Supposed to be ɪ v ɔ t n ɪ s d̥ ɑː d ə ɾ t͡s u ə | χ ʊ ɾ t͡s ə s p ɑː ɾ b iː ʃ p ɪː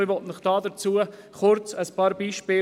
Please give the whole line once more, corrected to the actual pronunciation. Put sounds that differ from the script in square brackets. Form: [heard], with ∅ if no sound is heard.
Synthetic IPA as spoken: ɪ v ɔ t n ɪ [χ] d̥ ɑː d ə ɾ t͡s u ə | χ ʊ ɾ t͡s ə s p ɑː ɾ b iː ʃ p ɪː